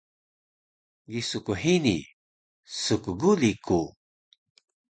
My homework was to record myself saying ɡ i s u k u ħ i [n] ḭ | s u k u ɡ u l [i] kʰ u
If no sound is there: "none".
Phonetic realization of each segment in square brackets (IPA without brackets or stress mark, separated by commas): n, i